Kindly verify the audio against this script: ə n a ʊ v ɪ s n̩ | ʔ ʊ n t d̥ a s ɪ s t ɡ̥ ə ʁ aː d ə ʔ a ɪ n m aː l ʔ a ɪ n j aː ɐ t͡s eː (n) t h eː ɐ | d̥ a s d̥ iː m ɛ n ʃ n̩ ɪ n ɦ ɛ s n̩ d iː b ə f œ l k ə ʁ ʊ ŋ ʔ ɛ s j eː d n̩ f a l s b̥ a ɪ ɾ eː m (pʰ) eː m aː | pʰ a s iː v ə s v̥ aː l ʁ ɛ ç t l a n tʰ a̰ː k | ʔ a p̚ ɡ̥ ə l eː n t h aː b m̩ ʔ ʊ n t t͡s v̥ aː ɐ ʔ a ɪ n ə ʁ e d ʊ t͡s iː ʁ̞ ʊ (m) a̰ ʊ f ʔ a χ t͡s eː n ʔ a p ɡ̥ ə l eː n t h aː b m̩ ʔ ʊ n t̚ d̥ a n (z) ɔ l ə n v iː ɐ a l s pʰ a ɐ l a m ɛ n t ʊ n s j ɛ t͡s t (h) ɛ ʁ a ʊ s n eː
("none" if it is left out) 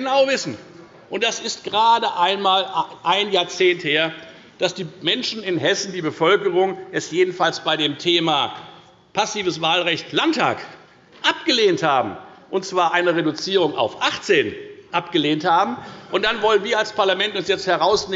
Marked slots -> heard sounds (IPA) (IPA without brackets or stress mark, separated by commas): n, tʰ, ŋ, v, h